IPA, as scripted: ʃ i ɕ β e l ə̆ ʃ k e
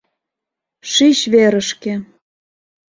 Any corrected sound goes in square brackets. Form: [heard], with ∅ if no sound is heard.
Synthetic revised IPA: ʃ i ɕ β e [ɾ] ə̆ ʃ k e